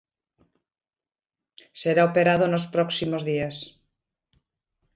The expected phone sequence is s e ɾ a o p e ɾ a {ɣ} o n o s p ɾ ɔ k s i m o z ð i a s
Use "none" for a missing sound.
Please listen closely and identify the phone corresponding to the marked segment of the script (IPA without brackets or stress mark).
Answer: ð